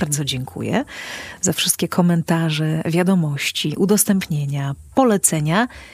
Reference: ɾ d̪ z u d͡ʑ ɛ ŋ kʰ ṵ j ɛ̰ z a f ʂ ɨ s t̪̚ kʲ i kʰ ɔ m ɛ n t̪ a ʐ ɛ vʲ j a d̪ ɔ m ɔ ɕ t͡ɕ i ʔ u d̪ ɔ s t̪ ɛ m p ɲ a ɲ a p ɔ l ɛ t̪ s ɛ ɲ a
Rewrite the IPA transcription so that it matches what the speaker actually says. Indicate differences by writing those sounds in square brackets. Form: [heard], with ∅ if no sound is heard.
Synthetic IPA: ɾ d̪ z [ɔ] d͡ʑ ɛ ŋ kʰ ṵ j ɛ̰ z a f ʂ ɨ s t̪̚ kʲ [ɛ] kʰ ɔ m ɛ n t̪ a ʐ ɛ vʲ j a d̪ ɔ m ɔ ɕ t͡ɕ i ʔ u d̪ ɔ s t̪ ɛ m p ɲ [e] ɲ a p ɔ l ɛ t̪ s ɛ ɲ a